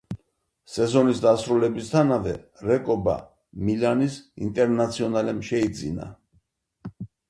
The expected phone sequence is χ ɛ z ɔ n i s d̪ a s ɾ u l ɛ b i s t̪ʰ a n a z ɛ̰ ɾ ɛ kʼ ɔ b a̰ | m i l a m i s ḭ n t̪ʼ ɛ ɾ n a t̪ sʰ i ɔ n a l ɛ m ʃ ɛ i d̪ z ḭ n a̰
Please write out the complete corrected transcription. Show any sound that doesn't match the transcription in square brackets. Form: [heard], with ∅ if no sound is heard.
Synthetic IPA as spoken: [s] ɛ z ɔ n i s d̪ a s ɾ u l ɛ b i s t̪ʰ a n a [v] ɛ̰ ɾ ɛ kʼ ɔ b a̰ | m i l a [n] i s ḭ n t̪ʼ ɛ ɾ n a t̪ sʰ i ɔ n a l ɛ m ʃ ɛ i d̪ z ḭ n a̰